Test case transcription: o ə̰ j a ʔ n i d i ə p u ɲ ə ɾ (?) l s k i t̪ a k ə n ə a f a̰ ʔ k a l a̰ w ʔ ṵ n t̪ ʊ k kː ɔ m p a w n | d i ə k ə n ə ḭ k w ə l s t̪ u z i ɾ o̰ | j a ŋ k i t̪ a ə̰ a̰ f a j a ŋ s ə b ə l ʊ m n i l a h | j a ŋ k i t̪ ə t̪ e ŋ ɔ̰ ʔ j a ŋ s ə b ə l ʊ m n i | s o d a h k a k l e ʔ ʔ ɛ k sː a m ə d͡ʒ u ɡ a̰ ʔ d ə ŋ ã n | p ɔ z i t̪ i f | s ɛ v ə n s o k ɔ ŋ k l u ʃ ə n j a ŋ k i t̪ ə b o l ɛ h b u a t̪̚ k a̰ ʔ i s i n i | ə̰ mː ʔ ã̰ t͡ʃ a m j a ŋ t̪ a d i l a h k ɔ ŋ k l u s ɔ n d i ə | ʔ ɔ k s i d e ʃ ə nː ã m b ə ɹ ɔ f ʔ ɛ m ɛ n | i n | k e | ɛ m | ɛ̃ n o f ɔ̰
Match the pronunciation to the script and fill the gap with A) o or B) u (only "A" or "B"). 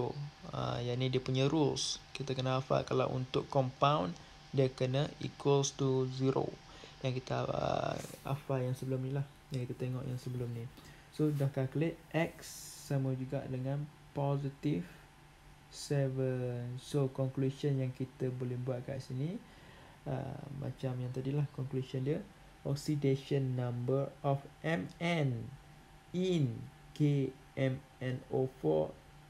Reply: B